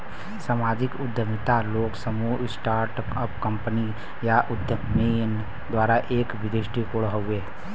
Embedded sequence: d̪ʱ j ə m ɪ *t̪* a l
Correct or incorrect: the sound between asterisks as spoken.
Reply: correct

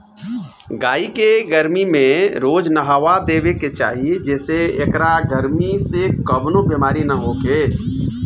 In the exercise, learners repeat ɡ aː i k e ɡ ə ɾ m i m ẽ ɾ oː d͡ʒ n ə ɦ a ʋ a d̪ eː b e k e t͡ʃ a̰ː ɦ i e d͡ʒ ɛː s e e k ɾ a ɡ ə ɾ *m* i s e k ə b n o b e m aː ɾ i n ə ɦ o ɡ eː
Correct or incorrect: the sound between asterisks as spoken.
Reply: correct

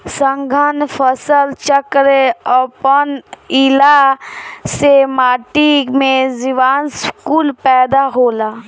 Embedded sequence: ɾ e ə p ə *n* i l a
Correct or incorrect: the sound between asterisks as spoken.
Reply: correct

